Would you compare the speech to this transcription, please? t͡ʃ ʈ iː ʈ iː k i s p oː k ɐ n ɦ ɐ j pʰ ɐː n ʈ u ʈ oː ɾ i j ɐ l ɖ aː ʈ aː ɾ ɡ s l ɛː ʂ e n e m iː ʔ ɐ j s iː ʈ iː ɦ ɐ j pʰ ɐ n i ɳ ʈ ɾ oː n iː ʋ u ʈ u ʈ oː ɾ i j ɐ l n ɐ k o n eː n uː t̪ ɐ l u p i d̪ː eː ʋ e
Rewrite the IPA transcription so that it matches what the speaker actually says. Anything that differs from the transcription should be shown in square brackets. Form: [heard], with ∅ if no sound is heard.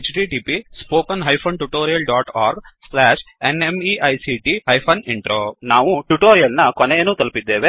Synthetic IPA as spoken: t͡ʃ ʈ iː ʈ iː [p] i s p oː k ɐ n ɦ ɐ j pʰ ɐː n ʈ u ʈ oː ɾ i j ɐ l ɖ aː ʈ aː ɾ ɡ s l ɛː ʂ e n e m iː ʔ ɐ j s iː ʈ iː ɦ ɐ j pʰ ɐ n i ɳ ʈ ɾ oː n [aː] ʋ u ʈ u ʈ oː ɾ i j ɐ l n ɐ k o n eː n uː t̪ ɐ l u p i d̪ː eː ʋ e